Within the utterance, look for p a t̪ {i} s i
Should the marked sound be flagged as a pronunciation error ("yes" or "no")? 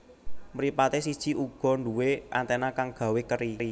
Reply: yes